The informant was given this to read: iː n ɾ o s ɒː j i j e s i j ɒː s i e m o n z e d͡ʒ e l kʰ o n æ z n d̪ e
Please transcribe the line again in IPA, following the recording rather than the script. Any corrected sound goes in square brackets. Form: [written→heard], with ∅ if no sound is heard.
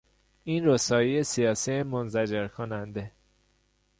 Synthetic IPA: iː n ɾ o s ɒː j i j e s i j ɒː s i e m o n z [e→æ] d͡ʒ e [l→ɾ] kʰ o n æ [z→∅] n d̪ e